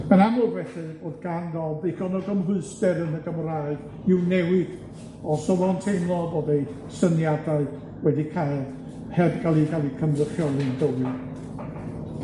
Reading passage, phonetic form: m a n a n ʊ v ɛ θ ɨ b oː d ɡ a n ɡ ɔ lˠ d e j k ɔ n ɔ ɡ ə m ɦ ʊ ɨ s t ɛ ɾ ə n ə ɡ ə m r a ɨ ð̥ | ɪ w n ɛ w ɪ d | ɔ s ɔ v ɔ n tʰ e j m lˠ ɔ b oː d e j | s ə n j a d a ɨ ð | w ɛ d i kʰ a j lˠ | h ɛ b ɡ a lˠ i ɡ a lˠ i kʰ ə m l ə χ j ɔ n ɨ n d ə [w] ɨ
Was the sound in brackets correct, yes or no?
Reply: yes